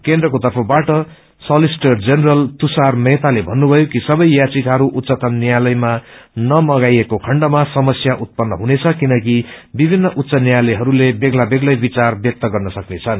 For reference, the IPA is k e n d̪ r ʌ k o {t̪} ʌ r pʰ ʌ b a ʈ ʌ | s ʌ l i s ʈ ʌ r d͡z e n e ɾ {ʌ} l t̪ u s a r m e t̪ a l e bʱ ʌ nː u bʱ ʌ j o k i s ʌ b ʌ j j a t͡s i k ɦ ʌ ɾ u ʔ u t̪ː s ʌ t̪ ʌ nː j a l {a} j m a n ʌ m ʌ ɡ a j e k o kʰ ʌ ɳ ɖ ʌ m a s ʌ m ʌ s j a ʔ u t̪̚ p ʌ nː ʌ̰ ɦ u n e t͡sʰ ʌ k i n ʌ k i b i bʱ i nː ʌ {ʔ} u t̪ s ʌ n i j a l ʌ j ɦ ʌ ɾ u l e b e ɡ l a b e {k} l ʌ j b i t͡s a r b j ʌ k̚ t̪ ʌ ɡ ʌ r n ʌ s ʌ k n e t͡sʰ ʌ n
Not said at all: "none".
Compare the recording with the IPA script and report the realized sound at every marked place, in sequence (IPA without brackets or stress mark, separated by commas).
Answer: t̪, ʌ, ʌ, ʔ, ɡ